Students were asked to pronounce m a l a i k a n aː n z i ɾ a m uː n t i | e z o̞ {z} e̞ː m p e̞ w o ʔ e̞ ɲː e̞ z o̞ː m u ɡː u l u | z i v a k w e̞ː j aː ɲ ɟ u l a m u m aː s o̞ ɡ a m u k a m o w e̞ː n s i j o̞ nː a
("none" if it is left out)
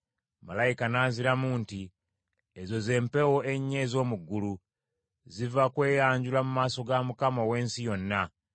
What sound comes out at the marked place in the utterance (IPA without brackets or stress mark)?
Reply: z